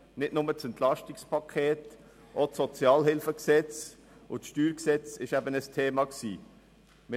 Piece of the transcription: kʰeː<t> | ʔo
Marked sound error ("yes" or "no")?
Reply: no